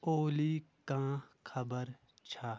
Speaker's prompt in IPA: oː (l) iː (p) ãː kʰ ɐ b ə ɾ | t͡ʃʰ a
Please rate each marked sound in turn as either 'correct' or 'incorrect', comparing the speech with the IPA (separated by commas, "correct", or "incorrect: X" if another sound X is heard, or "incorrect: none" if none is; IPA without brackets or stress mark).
correct, incorrect: k